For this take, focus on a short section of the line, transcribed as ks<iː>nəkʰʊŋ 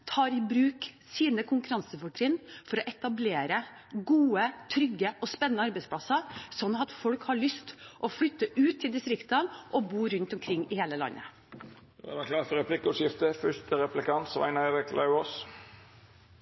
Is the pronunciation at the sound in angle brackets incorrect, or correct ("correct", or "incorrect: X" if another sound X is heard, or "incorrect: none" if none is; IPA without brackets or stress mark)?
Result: correct